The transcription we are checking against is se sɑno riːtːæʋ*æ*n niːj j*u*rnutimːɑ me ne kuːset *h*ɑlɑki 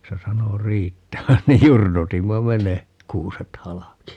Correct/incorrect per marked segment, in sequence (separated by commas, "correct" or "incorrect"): correct, correct, correct